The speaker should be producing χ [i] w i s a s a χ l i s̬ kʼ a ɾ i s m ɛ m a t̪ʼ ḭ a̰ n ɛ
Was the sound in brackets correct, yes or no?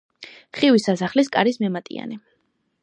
yes